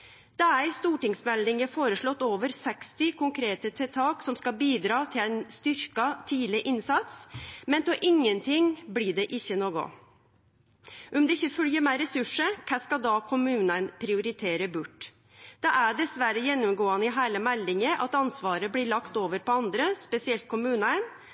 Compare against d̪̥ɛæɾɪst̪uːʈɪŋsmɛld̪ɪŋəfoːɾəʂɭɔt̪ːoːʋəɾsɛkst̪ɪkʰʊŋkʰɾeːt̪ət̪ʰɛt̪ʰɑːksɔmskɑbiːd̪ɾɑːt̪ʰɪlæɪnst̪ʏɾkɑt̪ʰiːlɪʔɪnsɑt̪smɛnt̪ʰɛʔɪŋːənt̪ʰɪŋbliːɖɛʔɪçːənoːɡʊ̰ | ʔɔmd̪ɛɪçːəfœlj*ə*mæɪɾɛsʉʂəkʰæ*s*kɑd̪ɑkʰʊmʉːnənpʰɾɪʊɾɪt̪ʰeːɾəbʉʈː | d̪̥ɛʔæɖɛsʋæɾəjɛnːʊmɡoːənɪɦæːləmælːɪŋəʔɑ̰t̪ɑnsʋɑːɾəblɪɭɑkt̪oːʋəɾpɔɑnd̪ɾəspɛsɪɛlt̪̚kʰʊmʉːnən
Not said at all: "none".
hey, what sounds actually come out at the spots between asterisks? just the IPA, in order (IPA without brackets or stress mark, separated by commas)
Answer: ə, s